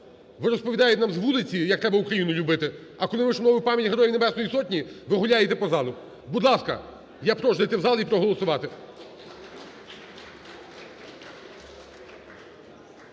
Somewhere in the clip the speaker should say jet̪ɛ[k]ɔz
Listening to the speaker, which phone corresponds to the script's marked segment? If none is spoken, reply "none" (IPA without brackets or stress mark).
p